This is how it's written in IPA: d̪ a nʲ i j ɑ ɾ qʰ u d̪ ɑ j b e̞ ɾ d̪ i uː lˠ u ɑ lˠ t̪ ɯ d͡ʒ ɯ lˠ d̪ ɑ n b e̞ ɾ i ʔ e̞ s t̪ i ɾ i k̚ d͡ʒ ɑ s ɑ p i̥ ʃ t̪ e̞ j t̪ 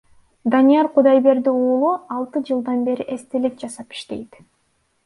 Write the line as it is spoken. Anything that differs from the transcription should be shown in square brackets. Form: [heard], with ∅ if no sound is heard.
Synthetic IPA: d̪ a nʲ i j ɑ ɾ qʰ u d̪ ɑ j b e̞ ɾ d̪ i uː lˠ u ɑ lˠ t̪ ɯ d͡ʒ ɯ lˠ d̪ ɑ n b e̞ ɾ i ʔ e̞ s t̪ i [l] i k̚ d͡ʒ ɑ s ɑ p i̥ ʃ t̪ e̞ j t̪